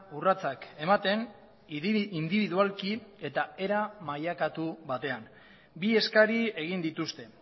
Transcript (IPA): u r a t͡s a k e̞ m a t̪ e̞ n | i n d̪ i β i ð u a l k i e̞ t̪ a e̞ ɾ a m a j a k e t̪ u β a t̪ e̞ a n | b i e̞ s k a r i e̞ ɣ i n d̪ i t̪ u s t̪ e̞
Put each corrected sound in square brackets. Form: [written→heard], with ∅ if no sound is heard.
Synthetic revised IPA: u r a t͡s a k e̞ m a t̪ e̞ n | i n d̪ i β i ð u a l k i e̞ t̪ a e̞ ɾ a m a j a k [e→a] t̪ u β a t̪ e̞ a n | b i e̞ s k a [r→ɾ] i e̞ ɣ i n d̪ i t̪ u s t̪ e̞